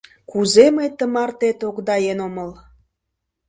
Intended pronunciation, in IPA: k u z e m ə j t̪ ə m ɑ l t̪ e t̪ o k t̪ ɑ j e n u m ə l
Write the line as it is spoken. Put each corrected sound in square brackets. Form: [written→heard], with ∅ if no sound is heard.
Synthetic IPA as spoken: k u z e m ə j t̪ ə m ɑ [l→r] t̪ e t̪ o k [t̪→d̪] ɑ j e n [u→o] m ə l